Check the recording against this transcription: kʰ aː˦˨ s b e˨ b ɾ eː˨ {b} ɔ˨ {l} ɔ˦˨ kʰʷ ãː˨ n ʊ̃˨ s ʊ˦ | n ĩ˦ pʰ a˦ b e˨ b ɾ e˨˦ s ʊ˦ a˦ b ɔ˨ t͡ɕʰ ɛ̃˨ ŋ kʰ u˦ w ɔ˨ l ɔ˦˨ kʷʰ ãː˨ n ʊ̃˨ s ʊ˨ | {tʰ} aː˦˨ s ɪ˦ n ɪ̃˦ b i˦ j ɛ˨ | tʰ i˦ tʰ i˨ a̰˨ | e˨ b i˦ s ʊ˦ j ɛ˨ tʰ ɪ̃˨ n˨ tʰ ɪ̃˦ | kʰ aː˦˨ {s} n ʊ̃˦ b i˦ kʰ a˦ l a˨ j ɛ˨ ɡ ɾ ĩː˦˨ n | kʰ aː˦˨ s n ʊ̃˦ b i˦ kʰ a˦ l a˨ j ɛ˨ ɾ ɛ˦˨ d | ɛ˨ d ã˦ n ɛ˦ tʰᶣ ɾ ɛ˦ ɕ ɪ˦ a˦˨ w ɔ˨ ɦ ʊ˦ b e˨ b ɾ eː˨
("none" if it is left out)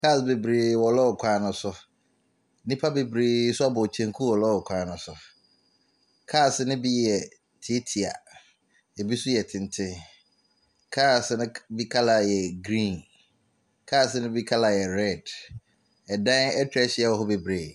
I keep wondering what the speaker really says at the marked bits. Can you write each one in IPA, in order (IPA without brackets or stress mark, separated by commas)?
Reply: w, l, kʰ, s